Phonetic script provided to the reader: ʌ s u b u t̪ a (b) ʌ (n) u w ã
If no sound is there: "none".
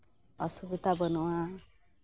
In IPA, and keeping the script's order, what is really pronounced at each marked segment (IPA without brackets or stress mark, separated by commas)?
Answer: b, n